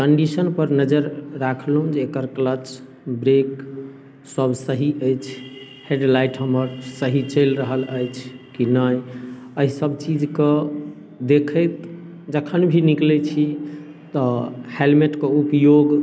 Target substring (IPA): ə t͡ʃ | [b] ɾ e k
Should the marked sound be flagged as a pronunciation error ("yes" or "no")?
no